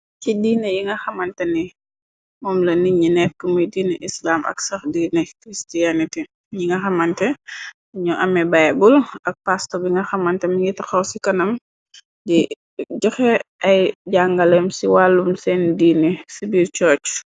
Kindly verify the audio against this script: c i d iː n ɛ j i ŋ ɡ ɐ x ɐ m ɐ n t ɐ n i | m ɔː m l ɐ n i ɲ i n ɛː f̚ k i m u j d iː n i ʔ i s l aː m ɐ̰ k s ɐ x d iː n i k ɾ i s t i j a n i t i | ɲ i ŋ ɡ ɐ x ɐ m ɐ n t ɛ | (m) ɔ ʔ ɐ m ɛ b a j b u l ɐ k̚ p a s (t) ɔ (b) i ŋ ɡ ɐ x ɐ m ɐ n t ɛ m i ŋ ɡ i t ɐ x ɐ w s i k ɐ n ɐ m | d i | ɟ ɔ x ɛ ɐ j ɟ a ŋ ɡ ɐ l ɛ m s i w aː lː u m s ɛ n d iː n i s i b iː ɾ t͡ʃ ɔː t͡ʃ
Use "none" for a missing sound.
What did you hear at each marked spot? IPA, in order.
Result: ɲ, t, b

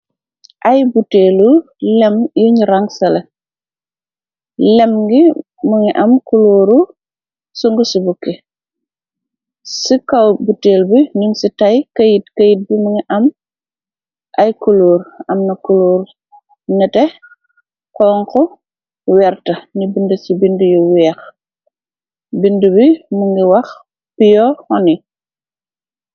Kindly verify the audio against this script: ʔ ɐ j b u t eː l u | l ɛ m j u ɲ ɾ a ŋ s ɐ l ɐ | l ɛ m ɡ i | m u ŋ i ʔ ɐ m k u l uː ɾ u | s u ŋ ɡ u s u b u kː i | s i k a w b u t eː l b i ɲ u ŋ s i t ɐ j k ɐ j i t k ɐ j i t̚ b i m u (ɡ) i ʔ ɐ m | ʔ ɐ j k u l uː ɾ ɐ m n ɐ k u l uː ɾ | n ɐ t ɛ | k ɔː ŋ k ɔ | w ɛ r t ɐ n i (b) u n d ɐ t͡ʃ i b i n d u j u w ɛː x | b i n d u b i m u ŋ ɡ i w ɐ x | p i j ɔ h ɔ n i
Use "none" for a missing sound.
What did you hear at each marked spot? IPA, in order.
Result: ŋ, b

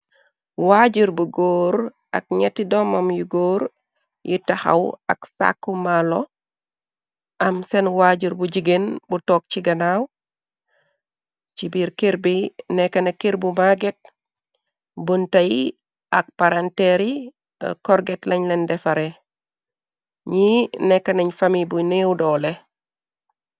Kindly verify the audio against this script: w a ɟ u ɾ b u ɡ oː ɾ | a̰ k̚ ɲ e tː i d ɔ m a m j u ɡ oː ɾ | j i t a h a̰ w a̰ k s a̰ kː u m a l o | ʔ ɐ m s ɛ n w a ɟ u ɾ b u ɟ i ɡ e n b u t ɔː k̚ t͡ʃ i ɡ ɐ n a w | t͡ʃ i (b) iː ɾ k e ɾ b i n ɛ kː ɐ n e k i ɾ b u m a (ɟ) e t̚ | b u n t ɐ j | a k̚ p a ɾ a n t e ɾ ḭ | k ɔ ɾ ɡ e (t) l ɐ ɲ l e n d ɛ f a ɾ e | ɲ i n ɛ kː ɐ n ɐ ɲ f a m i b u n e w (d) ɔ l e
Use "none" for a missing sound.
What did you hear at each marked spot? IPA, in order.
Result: b, ɡ, t, d

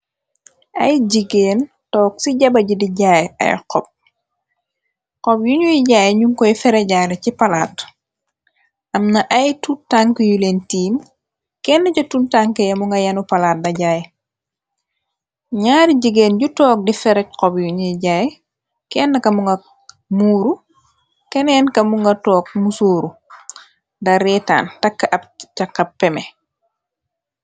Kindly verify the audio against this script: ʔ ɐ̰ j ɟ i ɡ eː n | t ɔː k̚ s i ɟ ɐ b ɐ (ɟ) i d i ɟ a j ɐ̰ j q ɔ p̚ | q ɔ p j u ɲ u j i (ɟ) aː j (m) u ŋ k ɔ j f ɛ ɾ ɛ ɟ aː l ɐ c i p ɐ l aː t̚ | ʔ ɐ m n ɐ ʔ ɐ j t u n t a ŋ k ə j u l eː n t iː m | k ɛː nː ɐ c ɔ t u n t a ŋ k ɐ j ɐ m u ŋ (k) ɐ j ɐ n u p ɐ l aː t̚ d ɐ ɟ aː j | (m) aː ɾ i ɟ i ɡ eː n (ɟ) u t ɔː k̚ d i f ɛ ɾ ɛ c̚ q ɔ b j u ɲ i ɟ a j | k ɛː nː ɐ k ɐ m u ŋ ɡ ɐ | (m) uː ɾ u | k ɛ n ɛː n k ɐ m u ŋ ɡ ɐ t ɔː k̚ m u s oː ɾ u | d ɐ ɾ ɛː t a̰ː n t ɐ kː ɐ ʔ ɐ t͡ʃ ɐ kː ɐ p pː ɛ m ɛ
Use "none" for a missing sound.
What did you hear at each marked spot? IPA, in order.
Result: ɟ, ɟ, ɲ, ɡ, ɲ, ɟ, m

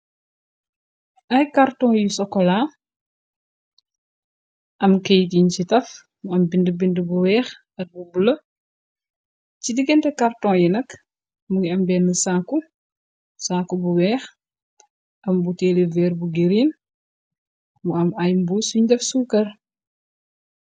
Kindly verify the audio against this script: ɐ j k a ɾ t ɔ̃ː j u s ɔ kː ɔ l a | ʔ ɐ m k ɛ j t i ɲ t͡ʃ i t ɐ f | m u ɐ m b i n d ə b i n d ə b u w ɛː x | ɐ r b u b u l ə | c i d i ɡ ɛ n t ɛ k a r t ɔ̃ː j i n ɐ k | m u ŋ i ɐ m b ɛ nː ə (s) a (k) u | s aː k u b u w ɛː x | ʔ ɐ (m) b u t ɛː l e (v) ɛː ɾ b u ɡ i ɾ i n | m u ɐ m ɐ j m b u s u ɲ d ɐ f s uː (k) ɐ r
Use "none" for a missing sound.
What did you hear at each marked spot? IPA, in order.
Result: s, k, m, v, k

